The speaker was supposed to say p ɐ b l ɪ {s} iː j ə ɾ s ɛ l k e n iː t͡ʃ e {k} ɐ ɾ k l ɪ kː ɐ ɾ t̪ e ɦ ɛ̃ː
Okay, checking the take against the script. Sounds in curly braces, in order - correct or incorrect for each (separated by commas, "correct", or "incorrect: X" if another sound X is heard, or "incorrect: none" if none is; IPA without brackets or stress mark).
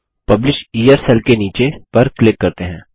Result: incorrect: ʃ, incorrect: p